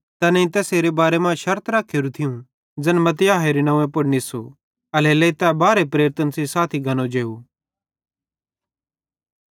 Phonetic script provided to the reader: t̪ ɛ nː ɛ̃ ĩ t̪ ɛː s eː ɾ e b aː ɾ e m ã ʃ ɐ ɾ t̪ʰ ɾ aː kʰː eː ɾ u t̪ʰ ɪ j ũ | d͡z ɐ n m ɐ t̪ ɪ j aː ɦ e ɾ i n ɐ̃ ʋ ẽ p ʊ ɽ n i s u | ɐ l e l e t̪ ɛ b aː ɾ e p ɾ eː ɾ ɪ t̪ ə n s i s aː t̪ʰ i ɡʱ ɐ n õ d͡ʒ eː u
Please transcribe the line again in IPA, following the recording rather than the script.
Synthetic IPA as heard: t̪ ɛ n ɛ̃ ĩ t̪ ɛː s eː ɾ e b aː ɾ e m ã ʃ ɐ ɾ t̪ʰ ɾ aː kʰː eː ɾ u t̪ʰ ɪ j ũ | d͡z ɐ n m ɐ t̪ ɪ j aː ɦ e ɾ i n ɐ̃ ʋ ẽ p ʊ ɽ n i s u | ɐ l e l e t̪ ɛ b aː ɾ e p ɾ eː ɾ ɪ t̪ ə n s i s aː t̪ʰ i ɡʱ ɐ n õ d͡ʒ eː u